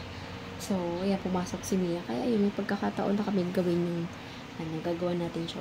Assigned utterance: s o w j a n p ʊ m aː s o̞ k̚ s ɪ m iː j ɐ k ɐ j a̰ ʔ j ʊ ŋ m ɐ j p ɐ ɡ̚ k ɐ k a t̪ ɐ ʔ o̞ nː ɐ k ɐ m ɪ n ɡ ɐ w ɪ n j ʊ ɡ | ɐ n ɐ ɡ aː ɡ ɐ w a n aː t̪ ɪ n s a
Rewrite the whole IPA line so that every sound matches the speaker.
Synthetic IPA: s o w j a n p ʊ m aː s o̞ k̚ s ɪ m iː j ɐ k ɐ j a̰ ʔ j ʊ ŋ m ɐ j p ɐ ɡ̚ k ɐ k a t̪ ɐ ʔ o̞ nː ɐ k ɐ m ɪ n ɡ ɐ w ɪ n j ʊ ŋ | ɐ n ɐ ɡ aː ɡ ɐ w a n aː t̪ ɪ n ʃ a